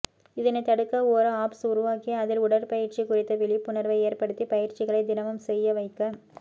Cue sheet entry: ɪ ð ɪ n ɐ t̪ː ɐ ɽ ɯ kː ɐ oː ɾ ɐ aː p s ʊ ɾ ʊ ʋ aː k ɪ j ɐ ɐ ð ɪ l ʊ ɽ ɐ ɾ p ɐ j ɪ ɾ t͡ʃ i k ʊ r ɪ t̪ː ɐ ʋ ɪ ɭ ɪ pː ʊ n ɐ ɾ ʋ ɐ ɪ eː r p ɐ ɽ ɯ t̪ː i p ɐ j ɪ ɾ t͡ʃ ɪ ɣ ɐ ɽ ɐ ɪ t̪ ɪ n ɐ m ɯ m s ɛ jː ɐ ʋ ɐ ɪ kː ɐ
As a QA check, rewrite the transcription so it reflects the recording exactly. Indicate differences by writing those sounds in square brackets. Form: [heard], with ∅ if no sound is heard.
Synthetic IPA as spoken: ɪ ð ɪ n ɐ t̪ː ɐ ɽ ɯ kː ɐ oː ɾ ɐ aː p s ʊ ɾ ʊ ʋ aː k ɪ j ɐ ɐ ð ɪ l ʊ ɽ ɐ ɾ p ɐ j ɪ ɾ t͡ʃ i k ʊ r ɪ t̪ː ɐ ʋ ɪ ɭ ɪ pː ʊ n ɐ ɾ ʋ ɐ ɪ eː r p ɐ ɽ ɯ t̪ː i p ɐ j ɪ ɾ t͡ʃ ɪ ɣ ɐ [ɭ] ɐ ɪ [d̪] ɪ n ɐ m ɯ m s ɛ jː ɐ ʋ ɐ ɪ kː ɐ